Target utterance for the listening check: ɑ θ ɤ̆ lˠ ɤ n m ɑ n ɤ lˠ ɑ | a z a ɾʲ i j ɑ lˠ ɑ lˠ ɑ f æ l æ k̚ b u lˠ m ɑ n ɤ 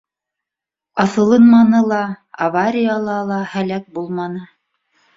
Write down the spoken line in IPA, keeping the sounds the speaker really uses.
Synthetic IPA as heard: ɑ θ ɤ̆ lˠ ɤ n m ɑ n ɤ lˠ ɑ | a v a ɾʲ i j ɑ lˠ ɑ lˠ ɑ h æ l æ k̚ b u lˠ m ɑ n ɤ